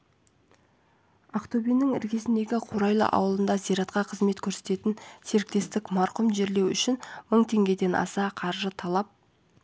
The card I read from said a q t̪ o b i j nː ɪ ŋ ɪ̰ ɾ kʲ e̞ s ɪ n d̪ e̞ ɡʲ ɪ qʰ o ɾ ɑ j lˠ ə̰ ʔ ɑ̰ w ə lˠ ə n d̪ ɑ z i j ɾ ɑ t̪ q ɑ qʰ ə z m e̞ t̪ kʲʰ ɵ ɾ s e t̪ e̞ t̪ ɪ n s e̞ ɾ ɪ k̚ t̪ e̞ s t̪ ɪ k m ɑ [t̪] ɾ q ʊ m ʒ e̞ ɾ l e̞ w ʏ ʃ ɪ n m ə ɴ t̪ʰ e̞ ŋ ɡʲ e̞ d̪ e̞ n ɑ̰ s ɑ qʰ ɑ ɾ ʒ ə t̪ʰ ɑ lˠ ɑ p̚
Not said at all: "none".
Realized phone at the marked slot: none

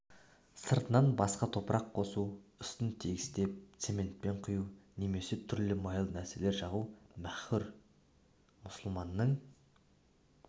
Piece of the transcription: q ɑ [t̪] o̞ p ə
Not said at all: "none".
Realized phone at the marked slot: t̪ʰ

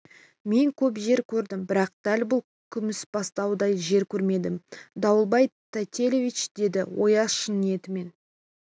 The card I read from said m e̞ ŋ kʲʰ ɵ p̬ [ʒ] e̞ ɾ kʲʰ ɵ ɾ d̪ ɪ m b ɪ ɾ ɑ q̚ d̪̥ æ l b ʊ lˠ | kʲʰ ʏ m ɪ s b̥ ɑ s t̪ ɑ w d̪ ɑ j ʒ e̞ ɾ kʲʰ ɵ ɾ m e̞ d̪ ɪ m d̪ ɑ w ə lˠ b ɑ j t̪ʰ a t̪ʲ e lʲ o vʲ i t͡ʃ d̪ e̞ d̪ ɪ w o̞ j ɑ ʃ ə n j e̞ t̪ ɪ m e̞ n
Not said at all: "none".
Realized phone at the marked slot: ʒ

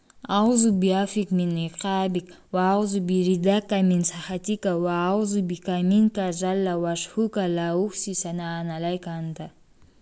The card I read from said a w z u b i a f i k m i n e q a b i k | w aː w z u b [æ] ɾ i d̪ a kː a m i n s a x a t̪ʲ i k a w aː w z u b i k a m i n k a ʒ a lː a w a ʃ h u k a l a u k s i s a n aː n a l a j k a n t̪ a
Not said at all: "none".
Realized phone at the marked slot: i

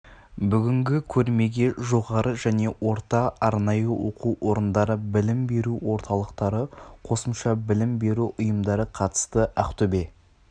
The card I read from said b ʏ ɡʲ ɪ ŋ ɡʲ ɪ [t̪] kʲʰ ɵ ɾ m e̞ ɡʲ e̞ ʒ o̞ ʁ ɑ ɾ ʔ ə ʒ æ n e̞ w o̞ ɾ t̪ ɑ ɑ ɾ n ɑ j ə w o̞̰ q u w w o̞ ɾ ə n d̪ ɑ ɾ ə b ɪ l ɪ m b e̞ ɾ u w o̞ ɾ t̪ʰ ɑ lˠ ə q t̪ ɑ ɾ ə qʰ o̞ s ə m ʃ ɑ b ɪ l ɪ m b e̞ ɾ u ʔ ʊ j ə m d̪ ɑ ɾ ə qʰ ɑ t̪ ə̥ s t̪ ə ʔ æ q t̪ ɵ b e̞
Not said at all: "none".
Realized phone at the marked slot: none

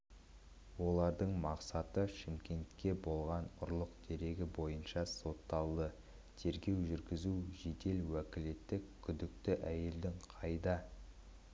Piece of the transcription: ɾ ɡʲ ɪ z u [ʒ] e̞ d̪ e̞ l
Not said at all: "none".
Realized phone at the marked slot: ʒ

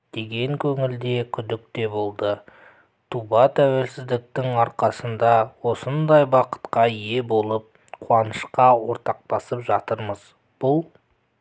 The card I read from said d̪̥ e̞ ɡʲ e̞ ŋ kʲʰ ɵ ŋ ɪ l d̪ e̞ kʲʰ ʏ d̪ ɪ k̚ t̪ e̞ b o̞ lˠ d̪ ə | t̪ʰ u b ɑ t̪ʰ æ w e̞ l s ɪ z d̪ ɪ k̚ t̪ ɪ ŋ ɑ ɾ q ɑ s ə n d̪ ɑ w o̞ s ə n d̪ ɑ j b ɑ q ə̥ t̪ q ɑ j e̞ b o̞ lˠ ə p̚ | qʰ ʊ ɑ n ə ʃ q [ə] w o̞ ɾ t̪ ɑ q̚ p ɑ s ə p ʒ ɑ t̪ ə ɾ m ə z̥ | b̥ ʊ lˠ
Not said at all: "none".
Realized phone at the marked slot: ɑ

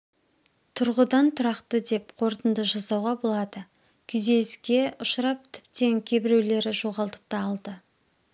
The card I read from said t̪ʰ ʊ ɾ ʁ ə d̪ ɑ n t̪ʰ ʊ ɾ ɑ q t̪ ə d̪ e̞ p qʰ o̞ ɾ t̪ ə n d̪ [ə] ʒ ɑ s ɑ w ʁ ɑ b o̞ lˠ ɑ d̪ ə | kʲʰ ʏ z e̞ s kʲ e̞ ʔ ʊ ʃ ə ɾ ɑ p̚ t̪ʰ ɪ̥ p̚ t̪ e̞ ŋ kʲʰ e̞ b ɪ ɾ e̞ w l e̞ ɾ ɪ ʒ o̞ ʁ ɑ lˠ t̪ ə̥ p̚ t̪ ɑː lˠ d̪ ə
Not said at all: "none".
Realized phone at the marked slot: ə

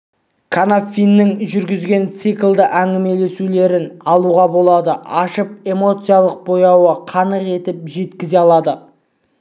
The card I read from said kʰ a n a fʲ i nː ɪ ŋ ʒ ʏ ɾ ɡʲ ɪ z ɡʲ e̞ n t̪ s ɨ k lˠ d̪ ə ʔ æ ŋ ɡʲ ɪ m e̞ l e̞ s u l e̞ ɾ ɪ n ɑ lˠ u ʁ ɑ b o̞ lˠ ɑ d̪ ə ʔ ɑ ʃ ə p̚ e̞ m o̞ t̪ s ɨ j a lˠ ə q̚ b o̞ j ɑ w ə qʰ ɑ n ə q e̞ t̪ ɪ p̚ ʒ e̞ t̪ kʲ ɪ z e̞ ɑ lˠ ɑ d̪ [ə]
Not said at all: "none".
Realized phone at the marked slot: ə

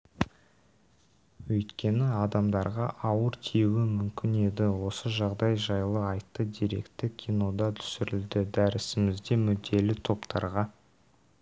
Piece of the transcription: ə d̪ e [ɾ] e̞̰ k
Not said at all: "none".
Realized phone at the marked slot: ɾ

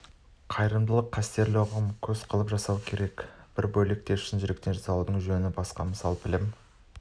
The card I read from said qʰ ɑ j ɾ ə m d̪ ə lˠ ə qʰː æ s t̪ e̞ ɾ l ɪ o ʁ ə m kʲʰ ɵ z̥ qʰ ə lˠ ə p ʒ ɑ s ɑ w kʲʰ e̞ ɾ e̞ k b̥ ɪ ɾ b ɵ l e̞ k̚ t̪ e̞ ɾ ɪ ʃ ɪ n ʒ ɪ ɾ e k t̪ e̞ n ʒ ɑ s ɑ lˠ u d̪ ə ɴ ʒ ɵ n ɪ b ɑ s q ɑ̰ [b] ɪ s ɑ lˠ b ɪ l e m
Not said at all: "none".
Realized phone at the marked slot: m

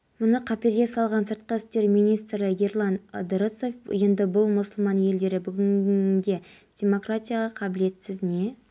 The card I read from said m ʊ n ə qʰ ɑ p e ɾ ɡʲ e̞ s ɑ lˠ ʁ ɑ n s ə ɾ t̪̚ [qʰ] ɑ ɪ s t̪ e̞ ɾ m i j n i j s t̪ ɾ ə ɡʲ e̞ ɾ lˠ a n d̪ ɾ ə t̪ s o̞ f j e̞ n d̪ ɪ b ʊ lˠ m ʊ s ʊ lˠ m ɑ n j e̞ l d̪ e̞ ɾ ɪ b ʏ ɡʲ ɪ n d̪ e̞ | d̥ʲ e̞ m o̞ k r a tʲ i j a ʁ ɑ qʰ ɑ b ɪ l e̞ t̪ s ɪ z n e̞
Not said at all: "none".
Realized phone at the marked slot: q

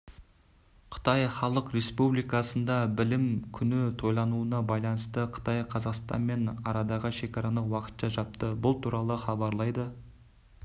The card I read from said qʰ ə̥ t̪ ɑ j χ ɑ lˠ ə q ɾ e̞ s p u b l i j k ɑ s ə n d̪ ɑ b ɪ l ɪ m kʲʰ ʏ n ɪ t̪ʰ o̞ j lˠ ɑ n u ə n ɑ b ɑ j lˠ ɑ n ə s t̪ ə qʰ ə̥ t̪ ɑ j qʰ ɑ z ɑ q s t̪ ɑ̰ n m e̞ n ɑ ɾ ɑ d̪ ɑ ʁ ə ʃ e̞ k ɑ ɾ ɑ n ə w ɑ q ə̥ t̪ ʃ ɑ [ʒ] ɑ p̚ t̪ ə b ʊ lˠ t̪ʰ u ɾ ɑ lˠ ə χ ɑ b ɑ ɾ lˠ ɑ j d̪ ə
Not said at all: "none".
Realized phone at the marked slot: ʒ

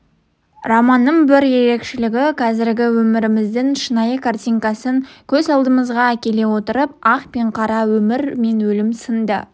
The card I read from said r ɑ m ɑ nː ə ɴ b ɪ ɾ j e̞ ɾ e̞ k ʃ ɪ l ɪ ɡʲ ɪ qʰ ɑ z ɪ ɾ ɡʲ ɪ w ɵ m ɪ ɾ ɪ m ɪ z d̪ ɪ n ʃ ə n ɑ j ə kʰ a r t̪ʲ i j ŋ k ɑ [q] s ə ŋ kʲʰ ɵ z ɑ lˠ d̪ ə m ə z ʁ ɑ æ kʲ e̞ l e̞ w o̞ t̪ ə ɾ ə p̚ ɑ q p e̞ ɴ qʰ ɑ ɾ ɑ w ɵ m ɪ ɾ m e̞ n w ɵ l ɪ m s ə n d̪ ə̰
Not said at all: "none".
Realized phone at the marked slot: none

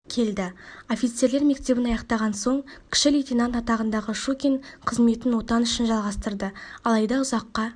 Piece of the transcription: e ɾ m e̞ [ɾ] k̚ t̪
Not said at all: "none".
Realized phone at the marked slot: none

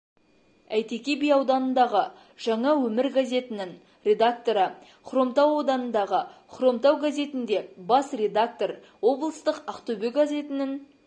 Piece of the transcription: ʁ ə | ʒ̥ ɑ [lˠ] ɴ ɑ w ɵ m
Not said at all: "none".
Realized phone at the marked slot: none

